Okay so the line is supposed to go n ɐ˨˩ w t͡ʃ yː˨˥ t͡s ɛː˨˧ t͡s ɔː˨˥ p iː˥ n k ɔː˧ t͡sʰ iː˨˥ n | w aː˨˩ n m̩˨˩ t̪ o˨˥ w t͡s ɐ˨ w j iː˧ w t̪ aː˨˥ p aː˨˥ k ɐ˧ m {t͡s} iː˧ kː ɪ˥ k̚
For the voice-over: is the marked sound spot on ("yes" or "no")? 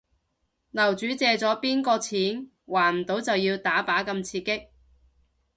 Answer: no